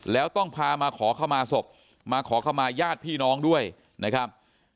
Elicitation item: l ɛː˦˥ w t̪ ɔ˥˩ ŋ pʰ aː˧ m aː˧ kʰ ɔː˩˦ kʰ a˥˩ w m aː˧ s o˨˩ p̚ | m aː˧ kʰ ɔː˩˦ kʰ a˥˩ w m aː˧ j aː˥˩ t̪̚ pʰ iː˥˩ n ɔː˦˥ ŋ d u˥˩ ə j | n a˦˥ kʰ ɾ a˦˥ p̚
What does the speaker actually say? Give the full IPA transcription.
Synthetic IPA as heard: l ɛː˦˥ w t̪ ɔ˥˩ ŋ pʰ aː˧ m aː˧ kʰ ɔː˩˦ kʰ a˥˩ w m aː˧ s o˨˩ p̚ | m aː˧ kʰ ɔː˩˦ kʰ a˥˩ w m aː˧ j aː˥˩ t̪̚ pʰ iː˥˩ n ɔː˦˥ ŋ d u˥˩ ə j | n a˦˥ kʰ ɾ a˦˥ p̚

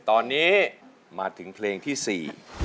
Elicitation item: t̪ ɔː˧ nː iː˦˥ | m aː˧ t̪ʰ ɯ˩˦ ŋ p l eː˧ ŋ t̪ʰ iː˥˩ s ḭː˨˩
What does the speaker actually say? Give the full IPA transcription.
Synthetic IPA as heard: t̪ ɔː˧ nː iː˦˥ | m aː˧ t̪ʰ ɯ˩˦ ŋ pʰ l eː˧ ŋ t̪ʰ iː˥˩ s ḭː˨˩

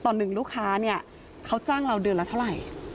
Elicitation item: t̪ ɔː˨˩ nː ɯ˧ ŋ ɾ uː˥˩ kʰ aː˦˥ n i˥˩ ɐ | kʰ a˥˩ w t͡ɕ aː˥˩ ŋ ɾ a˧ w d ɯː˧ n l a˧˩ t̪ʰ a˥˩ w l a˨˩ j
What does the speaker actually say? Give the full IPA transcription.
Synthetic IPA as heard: t̪ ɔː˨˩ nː ɯ˨˩ ŋ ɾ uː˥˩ kʰ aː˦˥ n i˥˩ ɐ | kʰ a˦˥ w t͡ɕ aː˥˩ ŋ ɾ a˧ w d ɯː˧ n l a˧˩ t̪ʰ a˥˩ w ɾ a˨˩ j

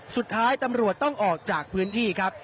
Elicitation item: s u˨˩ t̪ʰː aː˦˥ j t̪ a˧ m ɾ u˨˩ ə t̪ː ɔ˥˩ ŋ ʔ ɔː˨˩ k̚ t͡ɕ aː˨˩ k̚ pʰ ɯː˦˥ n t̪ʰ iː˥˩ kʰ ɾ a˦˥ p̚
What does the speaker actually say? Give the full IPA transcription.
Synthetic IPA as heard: s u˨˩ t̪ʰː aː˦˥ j t̪ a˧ m ɾ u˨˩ ə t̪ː ɔ˥˩ ŋ ʔ ɔː˨˩ k̚ t͡ɕ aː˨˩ k̚ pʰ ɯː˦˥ n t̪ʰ iː˥˩ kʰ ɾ a˦˥ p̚

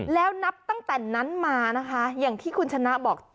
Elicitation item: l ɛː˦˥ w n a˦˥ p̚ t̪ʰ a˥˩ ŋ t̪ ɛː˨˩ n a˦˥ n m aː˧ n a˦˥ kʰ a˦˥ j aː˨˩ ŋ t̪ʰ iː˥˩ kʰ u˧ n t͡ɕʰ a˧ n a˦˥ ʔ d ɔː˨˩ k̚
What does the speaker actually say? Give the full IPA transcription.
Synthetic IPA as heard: l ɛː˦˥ w n a˦˥ p̚ t̪ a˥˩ ŋ t̪ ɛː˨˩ n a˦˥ n m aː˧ n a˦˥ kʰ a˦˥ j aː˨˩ ŋ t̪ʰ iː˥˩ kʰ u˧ n t͡ɕʰ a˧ n a˦˥ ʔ b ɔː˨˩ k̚

